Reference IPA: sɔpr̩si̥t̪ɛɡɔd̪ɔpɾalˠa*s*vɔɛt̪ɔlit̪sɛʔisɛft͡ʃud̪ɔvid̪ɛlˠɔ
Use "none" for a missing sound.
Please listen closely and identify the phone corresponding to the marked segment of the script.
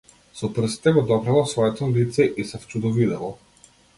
s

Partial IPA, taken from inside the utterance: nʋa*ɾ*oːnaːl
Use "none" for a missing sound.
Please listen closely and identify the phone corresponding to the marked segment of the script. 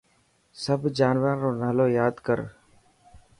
ɾ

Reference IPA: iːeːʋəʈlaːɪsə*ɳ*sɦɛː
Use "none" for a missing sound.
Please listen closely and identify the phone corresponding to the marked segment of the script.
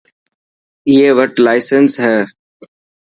n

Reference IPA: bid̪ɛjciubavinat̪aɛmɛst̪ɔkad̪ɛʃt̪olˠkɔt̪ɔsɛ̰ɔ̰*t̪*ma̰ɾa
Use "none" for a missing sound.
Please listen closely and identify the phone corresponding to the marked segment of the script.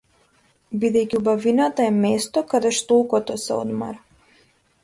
d̪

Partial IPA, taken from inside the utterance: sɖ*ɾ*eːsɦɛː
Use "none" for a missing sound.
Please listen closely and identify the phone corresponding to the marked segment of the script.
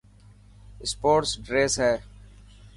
ɾ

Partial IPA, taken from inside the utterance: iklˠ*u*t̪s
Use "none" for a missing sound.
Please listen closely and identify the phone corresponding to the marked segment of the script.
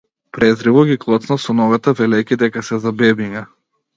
ɔ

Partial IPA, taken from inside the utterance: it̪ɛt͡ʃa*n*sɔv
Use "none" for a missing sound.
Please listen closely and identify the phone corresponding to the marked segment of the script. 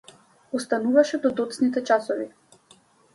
none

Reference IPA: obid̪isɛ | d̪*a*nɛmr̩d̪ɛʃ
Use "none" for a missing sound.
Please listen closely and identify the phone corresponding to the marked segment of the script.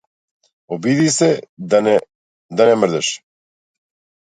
a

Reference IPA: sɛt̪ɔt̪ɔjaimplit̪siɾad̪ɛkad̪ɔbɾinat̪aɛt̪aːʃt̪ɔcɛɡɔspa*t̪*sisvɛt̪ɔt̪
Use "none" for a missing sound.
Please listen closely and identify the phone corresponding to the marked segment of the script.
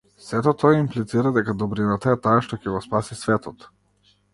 none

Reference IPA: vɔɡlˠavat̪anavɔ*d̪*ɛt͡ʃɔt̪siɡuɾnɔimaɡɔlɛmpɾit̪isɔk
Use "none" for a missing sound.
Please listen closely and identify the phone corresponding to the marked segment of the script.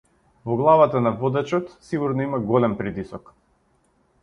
d̪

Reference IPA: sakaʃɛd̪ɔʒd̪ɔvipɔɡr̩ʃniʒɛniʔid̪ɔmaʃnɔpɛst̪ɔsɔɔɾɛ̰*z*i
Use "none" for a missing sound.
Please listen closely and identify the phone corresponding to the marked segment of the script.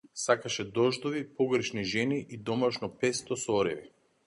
v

